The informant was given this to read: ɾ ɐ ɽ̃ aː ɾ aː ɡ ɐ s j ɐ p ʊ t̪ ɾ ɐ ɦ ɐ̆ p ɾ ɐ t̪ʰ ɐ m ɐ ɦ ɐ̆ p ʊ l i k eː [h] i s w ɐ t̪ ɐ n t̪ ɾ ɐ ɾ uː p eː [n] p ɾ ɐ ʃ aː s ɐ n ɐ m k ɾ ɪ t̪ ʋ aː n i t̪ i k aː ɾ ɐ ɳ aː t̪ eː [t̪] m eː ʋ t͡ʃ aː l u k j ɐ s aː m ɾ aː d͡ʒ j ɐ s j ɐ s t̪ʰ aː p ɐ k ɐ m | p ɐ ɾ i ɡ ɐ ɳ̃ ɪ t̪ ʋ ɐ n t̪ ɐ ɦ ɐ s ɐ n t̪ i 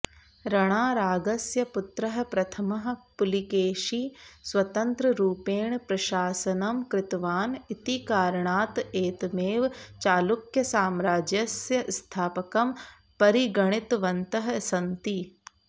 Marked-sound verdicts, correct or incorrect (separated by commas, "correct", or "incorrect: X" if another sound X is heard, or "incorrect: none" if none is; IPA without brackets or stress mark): incorrect: ʃ, incorrect: ɳ, correct